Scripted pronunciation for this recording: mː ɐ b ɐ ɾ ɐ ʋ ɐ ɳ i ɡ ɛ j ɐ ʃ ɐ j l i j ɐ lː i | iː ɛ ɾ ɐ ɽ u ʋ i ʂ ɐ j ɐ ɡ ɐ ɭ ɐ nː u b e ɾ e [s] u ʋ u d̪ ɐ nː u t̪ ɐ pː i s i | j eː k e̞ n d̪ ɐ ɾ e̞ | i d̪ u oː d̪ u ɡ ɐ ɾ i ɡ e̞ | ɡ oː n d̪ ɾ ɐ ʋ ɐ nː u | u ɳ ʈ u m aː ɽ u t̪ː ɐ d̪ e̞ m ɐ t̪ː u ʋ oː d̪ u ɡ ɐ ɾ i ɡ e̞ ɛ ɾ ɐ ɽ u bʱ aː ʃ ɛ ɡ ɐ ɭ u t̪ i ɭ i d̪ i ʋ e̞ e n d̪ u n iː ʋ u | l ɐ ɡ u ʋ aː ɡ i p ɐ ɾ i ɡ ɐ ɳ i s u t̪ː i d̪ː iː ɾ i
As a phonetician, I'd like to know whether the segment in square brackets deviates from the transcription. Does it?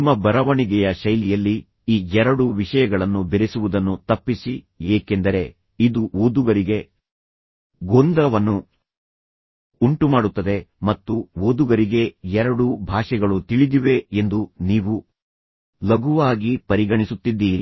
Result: no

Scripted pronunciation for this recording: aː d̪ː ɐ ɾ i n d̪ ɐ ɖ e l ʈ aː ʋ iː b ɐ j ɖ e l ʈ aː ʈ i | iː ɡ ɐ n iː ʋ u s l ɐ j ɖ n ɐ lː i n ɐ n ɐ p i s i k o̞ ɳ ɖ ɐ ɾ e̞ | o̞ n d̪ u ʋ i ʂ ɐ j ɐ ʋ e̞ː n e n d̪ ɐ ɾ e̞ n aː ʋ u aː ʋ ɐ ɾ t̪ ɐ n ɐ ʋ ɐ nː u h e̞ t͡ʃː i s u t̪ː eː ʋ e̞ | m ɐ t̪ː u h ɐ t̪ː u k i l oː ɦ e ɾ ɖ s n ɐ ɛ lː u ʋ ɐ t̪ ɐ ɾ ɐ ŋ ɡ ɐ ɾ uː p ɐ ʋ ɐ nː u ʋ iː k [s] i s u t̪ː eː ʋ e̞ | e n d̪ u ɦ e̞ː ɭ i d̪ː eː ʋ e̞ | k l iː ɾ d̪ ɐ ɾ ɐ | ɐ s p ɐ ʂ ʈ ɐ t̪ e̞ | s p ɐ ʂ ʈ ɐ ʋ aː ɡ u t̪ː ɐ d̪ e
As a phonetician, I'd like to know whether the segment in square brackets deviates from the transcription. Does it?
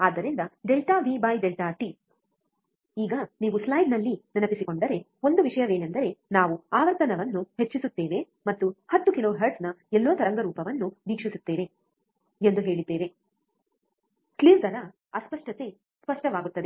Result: yes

